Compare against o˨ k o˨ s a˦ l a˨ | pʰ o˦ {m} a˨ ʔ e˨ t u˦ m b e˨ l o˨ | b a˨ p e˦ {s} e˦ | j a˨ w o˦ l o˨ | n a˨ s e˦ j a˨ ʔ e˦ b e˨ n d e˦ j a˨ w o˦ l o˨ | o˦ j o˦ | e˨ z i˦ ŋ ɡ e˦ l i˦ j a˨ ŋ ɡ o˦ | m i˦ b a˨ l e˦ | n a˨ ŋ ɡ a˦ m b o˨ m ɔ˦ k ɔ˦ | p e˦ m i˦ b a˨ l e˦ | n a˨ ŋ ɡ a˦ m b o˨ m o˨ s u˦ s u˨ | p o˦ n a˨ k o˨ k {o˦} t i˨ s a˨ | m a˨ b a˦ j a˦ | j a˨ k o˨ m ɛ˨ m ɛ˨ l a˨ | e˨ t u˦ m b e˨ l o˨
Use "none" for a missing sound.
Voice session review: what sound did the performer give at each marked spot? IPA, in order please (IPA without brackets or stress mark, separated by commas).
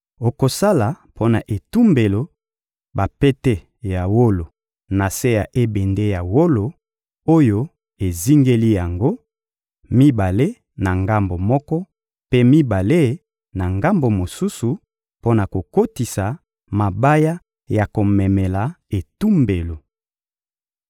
n, t, o˦